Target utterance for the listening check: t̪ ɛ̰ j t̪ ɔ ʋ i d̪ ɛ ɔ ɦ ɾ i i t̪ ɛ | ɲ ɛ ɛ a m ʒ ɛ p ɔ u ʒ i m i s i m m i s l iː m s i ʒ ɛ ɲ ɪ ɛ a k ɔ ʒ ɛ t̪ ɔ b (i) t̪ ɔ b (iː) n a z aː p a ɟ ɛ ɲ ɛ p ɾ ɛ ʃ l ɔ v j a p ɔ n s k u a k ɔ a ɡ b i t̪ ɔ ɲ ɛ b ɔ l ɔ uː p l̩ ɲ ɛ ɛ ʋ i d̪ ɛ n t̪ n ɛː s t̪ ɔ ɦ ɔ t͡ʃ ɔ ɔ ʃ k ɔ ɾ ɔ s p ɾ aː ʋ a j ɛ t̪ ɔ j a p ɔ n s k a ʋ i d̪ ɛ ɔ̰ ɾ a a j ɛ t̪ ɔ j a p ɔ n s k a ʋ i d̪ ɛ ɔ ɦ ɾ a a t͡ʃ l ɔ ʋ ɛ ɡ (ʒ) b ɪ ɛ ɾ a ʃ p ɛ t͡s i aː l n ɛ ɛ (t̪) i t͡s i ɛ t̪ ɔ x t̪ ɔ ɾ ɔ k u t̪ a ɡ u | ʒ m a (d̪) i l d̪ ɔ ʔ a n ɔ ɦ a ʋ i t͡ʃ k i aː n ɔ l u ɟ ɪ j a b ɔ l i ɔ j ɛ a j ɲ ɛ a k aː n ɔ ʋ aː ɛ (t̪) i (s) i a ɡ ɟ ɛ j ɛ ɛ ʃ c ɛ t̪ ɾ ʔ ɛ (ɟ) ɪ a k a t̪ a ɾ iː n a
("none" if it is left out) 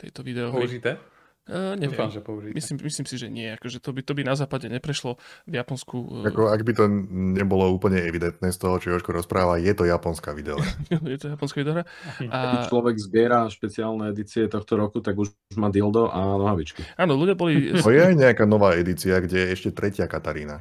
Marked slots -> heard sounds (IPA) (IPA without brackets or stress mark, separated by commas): i, i, z, d̪, d̪, d̪, t͡s, c